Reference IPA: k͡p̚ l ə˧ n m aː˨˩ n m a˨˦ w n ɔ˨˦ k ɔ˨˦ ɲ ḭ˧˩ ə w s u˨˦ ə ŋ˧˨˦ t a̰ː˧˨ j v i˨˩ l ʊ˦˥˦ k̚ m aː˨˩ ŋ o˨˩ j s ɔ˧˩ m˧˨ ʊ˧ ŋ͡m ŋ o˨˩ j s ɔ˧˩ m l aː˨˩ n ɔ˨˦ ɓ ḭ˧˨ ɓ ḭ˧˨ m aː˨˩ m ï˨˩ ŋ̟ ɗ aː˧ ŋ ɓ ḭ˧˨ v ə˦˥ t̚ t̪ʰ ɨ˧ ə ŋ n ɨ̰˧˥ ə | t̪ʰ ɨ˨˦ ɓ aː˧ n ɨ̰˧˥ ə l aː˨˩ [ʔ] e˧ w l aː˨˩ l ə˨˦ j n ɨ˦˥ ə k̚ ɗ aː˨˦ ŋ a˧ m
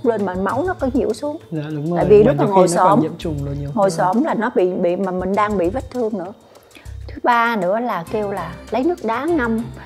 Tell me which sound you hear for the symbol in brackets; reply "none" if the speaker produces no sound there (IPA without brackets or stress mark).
k